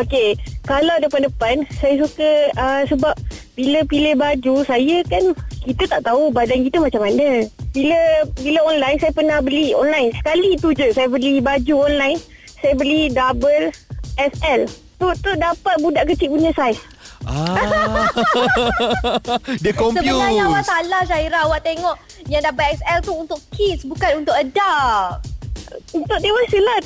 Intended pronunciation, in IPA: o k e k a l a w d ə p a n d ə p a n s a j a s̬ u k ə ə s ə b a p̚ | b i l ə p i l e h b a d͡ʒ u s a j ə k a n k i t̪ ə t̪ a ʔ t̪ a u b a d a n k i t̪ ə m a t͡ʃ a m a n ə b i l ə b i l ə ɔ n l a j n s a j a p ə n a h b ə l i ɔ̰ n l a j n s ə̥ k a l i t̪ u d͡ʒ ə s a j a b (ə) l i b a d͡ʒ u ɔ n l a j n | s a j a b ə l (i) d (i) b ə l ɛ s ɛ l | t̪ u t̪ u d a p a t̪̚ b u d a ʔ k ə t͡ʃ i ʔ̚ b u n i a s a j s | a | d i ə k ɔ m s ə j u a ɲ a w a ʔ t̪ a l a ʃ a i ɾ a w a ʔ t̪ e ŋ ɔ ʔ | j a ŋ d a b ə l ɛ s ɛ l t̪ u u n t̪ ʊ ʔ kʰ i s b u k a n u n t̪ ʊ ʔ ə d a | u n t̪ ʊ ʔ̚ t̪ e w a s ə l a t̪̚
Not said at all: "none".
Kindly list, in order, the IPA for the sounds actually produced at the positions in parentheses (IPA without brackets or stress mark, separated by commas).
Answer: ə, i, a